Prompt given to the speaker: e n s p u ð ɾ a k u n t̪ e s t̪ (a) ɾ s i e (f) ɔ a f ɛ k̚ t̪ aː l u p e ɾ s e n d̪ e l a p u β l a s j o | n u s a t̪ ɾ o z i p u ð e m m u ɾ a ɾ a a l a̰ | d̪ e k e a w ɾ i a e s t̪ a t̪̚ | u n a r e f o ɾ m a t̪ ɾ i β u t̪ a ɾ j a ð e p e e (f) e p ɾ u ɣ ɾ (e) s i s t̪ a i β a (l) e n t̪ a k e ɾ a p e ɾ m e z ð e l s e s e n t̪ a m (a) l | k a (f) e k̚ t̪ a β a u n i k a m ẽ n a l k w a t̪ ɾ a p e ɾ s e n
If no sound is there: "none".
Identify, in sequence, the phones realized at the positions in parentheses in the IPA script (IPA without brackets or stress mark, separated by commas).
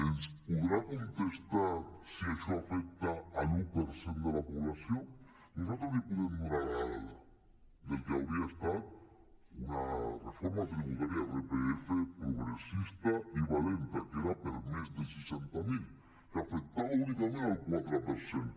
a, ʃ, f, e, l, i, f